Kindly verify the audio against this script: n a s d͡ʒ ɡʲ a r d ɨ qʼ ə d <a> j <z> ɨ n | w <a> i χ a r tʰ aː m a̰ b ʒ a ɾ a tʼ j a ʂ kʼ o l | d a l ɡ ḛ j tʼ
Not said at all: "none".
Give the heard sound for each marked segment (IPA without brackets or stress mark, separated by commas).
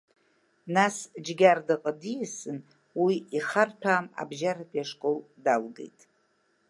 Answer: i, s, i